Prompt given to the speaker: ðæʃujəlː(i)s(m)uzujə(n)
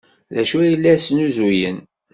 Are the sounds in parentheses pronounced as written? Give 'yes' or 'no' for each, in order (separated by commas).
no, no, yes